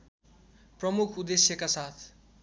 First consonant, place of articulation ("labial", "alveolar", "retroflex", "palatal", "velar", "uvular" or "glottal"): labial